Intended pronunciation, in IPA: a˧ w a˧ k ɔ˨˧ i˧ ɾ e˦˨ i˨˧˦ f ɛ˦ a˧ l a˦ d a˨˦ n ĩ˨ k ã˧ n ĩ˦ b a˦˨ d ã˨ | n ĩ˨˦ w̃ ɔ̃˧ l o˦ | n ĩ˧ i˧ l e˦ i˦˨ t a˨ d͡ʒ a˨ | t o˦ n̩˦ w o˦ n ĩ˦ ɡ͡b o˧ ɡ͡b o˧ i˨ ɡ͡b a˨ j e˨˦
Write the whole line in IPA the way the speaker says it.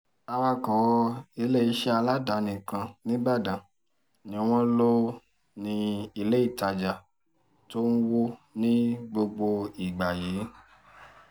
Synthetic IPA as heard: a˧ w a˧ k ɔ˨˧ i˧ l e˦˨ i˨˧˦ ʃ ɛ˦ a˧ l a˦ d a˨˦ n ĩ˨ k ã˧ n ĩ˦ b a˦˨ d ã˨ | n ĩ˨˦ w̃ ɔ̃˧ l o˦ | n ĩ˧ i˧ l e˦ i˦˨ t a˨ d͡ʒ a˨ | t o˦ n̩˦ w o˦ n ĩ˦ ɡ͡b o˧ ɡ͡b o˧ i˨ ɡ͡b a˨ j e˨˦